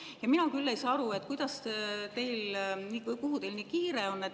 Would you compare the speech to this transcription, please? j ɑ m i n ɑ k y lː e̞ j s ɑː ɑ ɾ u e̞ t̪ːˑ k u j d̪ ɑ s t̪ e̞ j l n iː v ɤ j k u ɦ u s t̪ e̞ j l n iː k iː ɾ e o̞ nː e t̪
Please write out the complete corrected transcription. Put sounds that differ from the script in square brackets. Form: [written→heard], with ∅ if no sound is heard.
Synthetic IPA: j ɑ m i n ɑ k y lː e̞ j s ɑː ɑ ɾ u e̞ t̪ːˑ k u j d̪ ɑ s t̪ e̞ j l n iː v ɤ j k u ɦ u [s→∅] t̪ e̞ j l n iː k iː ɾ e o̞ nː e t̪